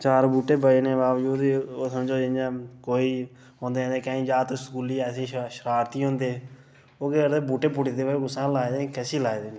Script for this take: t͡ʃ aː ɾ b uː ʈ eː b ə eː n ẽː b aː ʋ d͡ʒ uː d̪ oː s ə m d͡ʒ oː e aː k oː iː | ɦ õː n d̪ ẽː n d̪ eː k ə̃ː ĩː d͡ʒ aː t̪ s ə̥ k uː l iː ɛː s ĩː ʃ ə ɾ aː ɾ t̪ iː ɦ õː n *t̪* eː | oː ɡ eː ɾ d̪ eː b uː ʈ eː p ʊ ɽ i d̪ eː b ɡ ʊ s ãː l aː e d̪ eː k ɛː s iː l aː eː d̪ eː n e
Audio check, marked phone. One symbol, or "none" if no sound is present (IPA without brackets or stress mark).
d̪